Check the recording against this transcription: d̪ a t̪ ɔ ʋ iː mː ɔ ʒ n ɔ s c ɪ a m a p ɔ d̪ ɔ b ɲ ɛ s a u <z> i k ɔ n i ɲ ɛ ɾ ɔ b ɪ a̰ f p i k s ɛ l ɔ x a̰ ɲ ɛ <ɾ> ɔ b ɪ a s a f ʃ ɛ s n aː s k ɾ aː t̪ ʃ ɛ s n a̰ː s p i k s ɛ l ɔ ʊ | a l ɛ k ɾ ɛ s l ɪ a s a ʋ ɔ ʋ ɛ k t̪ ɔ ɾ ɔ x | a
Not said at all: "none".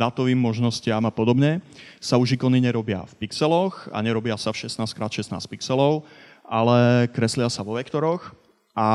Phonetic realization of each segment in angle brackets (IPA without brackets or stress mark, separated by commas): ʒ, ɾ